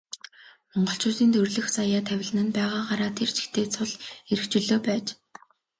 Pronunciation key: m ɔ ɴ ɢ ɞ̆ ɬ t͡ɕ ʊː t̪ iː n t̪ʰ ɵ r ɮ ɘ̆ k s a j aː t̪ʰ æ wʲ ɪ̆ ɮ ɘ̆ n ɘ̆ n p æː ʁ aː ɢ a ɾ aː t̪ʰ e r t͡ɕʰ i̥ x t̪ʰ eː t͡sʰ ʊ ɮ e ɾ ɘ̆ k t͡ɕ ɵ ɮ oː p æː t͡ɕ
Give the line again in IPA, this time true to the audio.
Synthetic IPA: m ɔ ɴ ɢ ɞ̆ ɬ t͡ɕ ʊː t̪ iː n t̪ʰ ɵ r ɮ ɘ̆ x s a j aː t̪ʰ æ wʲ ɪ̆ ɮ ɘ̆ n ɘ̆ n p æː ʁ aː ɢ a ɾ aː t̪ʰ e r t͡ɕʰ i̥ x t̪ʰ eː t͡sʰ ʊ ɮ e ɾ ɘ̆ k t͡ɕ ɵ ɮ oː p æː t͡ɕ